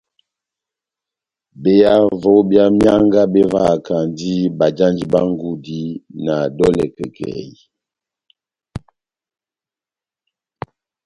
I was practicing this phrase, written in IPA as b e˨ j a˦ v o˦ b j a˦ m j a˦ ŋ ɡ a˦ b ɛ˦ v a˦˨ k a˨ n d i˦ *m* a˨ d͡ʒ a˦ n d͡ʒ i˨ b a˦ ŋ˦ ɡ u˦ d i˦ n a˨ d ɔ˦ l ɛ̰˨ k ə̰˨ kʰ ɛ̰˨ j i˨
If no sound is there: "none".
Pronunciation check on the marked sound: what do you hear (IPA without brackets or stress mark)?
b